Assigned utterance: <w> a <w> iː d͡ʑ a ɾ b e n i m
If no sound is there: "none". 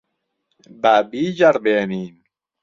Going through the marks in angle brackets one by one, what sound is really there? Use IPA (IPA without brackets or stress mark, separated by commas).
b, b